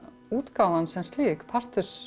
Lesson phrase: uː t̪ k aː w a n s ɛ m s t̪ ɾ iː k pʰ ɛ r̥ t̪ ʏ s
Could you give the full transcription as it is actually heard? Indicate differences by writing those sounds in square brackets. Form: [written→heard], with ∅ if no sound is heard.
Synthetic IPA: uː t̪ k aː w a n s ɛ m s t̪ [ɾ→l] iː k pʰ [ɛ→a] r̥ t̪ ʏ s